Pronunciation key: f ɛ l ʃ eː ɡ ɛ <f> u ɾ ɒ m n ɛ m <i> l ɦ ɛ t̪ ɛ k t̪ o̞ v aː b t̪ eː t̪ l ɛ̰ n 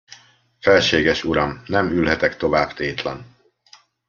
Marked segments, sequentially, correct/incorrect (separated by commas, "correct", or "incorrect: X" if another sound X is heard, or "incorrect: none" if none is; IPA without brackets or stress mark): incorrect: ʃ, incorrect: y